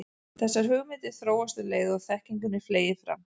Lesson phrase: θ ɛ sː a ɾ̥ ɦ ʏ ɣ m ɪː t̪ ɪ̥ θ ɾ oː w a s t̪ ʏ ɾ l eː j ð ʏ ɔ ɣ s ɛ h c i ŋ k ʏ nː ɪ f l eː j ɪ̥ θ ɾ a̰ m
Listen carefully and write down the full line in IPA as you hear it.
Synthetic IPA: θ ɛ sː a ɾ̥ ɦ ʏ ɣ m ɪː t̪ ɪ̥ θ ɾ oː w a s t̪ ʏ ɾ l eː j ð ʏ ɔ ɣ θ ɛ h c i ŋ k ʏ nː ɪ f l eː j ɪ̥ f ɾ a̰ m